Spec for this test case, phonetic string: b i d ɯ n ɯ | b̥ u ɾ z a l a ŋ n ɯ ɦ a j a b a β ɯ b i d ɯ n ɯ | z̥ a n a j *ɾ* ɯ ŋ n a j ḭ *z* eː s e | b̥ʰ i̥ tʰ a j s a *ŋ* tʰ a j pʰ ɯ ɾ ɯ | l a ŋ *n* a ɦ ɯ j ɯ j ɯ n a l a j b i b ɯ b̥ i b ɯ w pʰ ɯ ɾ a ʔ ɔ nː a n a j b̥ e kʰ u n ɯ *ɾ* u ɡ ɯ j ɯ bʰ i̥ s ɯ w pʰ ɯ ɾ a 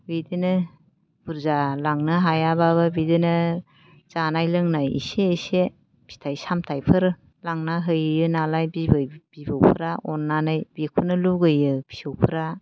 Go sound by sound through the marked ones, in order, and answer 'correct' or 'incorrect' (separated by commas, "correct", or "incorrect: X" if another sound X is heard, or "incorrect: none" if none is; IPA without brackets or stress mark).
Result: incorrect: l, incorrect: s, incorrect: m, correct, incorrect: l